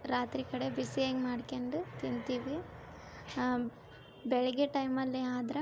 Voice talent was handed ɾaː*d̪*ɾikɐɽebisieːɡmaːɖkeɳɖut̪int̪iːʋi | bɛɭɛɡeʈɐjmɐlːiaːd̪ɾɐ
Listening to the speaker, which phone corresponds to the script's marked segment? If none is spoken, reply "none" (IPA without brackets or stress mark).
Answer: t̪